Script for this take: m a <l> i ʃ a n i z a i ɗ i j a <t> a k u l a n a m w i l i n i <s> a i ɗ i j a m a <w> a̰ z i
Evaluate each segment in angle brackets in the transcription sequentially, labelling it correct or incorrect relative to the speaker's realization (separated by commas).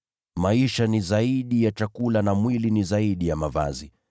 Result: incorrect, incorrect, incorrect, incorrect